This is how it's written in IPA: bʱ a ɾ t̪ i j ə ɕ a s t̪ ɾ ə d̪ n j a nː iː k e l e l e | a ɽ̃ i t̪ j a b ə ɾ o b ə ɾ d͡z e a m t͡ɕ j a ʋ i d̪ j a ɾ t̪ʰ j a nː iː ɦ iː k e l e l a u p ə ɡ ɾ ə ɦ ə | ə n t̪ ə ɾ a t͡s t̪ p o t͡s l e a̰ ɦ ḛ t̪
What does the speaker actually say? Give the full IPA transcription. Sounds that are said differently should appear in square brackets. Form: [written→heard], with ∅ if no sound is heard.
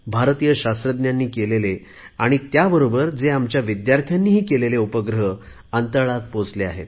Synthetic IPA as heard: bʱ a ɾ t̪ i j ə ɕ a s t̪ ɾ ə d̪ n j a nː iː k e l e l e | a ɽ̃ i t̪ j a b ə ɾ o b ə ɾ d͡z e a m t͡ɕ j a ʋ i d̪ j a ɾ t̪ʰ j a nː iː ɦ iː k e l e l [a→e] u p ə ɡ ɾ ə ɦ ə | ə n t̪ ə [ɾ→ɭ] a [t͡s→∅] t̪ p o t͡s l e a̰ ɦ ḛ t̪

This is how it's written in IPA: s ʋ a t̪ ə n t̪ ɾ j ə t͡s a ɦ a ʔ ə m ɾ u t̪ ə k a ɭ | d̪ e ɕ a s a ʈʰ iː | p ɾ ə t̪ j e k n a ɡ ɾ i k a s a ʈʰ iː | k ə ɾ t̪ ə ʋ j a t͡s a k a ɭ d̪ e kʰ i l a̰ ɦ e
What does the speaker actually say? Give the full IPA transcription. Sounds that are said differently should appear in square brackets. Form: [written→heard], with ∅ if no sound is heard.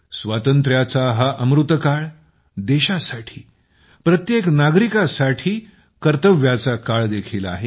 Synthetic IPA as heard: s ʋ a t̪ ə n t̪ ɾ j [ə→a] t͡s a ɦ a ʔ ə m ɾ u t̪ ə k a ɭ | d̪ e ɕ a s a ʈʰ iː | p ɾ ə t̪ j e k n a ɡ ɾ i k a s a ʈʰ iː | k ə ɾ t̪ ə ʋ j a t͡s a k a ɭ d̪ e kʰ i l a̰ ɦ e

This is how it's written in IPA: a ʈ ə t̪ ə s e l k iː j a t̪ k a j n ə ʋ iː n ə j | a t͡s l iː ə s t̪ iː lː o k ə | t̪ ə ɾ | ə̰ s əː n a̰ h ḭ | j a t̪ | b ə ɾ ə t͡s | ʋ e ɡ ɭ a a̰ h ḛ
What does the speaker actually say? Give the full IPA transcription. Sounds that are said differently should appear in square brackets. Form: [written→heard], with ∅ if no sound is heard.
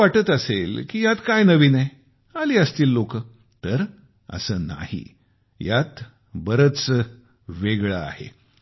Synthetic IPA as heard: a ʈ ə t̪ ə s e l k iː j a t̪ k a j n ə ʋ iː n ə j | a [t͡s→∅] l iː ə s t̪ iː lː o k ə | t̪ ə ɾ | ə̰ s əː n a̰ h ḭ | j a t̪ | b ə ɾ ə t͡s | ʋ e ɡ ɭ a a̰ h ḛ

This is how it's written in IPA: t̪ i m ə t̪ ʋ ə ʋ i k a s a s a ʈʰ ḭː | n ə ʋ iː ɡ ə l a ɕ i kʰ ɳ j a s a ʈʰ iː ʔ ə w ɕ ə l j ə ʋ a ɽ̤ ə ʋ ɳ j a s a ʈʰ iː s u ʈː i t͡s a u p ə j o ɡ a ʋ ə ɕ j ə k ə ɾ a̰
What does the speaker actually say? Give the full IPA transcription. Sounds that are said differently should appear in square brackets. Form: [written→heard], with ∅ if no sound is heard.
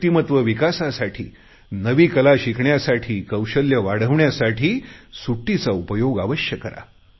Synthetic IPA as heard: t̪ i m ə t̪ ʋ ə ʋ i k a s a s a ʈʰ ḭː | n ə ʋ iː [ɡ→k] ə l a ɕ i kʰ ɳ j a s a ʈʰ iː [ʔ→k] ə w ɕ ə l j ə ʋ a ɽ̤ ə ʋ ɳ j a s a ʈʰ iː s u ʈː i t͡s a u p ə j o ɡ a ʋ ə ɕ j ə k ə ɾ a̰

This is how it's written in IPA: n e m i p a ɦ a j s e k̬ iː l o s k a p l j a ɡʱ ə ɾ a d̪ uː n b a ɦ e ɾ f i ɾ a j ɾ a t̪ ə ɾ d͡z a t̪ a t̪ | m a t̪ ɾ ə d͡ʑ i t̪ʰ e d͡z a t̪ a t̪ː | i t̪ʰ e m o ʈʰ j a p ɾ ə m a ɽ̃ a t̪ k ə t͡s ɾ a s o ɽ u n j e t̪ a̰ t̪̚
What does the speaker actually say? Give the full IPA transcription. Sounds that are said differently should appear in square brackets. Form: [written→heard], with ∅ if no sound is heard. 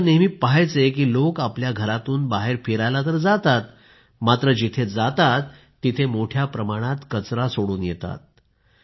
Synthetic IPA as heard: n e m i p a ɦ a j [s→t͡s] e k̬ iː l o [s→∅] k a p l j a ɡʱ ə ɾ a [d̪→t̪] uː n b a ɦ e ɾ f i ɾ a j [ɾ→l] a t̪ ə ɾ d͡z a t̪ a t̪ | m a t̪ ɾ ə d͡ʑ i t̪ʰ e d͡z a t̪ a t̪ː | i t̪ʰ e m o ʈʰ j a p ɾ ə m a ɽ̃ a t̪ k ə t͡s ɾ a s o ɽ [u→uː] n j e t̪ a̰ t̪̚

